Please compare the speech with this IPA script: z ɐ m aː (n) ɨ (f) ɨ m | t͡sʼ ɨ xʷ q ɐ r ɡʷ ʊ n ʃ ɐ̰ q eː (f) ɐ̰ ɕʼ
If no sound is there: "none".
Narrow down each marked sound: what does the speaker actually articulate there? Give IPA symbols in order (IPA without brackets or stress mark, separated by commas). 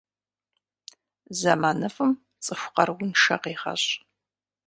n, f, χ